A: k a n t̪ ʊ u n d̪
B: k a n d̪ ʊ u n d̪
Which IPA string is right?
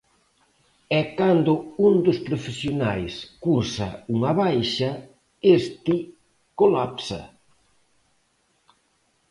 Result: B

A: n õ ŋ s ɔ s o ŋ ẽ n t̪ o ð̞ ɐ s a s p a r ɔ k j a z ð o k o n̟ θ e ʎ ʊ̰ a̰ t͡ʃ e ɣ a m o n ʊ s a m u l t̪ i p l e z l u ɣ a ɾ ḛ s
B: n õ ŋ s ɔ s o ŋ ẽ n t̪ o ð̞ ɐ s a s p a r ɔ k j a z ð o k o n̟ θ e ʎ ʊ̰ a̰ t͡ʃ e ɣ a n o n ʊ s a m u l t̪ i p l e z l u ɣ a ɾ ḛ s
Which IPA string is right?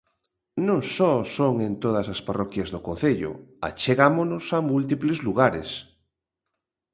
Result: A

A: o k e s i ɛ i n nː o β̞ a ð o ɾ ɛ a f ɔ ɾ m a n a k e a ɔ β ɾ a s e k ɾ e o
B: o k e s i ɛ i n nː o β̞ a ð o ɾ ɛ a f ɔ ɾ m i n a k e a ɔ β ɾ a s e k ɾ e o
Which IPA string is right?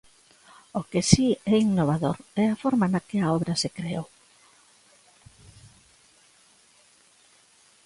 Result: A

